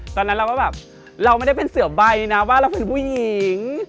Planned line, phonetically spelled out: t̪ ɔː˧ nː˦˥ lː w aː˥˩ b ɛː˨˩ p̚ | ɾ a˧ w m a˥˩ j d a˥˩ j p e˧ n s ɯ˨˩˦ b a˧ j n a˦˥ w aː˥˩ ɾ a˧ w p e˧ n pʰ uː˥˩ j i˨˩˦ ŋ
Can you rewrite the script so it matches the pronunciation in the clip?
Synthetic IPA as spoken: t̪ ɔː˧ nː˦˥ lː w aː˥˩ b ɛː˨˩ p̚ | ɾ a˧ w m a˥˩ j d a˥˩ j p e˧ n s ɯ˨˩˦ b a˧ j n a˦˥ w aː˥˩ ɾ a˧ w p e˧ n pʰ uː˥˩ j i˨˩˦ ŋ